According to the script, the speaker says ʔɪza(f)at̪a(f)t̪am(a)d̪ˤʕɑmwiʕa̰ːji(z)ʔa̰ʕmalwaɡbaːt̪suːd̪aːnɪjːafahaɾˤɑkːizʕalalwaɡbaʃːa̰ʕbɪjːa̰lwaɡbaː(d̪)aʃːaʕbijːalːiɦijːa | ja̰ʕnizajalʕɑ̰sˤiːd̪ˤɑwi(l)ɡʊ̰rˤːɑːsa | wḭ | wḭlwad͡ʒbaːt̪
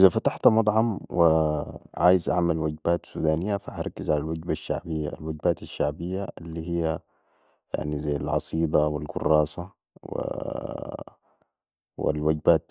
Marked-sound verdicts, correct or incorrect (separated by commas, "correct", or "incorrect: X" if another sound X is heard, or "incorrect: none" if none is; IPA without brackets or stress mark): correct, incorrect: ħ, incorrect: ɑ, correct, incorrect: t̪, correct